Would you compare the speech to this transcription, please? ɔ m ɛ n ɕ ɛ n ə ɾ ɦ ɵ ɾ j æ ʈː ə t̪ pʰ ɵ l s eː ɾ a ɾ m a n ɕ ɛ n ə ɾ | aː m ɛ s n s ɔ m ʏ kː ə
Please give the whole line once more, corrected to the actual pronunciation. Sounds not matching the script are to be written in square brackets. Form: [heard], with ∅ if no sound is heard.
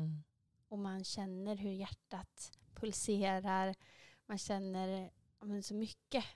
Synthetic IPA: ɔ m [a] n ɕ ɛ [nː] ə ɾ ɦ ɵ ɾ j æ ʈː [a] t̪ pʰ ɵ l s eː ɾ a ɾ m a n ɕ ɛ [nː] ə ɾ | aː m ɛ [∅] n s ɔ m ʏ kː ə